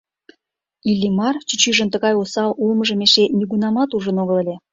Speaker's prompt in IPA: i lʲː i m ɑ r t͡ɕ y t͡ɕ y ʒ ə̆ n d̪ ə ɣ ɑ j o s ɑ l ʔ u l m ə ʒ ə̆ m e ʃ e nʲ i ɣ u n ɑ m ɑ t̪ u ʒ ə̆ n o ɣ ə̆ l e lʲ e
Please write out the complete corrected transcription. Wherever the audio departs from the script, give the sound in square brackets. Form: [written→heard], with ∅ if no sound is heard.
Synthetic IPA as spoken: i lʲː i m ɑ r t͡ɕ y t͡ɕ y ʒ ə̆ n [d̪→t̪] ə ɣ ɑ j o s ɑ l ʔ u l m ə ʒ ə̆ m e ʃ e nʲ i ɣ u n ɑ m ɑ t̪ u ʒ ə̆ n o ɣ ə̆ l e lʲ e